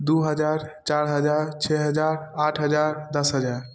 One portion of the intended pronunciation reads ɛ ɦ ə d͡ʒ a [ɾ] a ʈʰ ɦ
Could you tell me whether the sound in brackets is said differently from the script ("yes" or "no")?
no